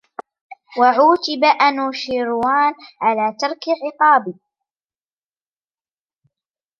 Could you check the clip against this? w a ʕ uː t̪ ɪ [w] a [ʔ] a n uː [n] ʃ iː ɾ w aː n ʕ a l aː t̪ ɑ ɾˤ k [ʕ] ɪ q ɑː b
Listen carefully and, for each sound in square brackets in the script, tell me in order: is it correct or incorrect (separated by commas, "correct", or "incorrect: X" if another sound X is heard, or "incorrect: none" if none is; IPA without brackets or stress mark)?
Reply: incorrect: b, correct, incorrect: none, correct